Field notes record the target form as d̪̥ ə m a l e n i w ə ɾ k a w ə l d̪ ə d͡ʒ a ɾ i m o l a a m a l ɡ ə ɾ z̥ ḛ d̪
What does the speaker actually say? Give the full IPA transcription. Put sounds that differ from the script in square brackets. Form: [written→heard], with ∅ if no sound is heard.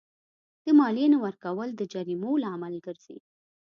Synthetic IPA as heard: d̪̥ ə m [a→ɑ] l e n [i→a] w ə ɾ k a w ə l d̪ ə d͡ʒ a ɾ i m o l a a m a l ɡ ə ɾ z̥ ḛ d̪